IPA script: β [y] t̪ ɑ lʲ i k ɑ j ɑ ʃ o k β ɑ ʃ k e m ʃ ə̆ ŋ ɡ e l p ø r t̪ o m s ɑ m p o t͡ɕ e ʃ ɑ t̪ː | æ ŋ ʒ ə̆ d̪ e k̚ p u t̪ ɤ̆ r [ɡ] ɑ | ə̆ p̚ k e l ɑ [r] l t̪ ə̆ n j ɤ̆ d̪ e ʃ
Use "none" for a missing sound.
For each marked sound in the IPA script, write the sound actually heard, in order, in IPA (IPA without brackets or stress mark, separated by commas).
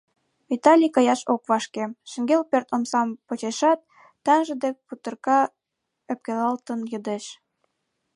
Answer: i, k, none